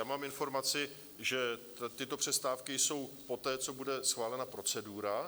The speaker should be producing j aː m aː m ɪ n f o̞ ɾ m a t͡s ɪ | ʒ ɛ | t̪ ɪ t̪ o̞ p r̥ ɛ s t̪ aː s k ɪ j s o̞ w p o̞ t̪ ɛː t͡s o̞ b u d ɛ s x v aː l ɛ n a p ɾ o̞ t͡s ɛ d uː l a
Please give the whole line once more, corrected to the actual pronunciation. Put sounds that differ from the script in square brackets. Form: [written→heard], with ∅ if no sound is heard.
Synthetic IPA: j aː m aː m ɪ n f o̞ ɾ m a t͡s ɪ | ʒ ɛ | t̪ ɪ t̪ o̞ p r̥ ɛ s t̪ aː [s→f] k ɪ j s o̞ w p o̞ t̪ ɛː t͡s o̞ b u d ɛ s x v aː l ɛ n a p ɾ o̞ t͡s ɛ d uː [l→ɾ] a